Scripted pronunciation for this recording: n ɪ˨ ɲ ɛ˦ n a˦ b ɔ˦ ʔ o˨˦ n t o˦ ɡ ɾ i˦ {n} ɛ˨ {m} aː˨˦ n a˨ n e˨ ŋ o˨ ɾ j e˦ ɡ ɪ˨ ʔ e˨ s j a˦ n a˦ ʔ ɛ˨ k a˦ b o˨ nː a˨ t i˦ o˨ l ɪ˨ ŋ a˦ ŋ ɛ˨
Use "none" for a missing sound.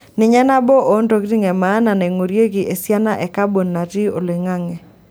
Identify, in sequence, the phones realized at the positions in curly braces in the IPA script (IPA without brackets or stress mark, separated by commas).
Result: ŋ, m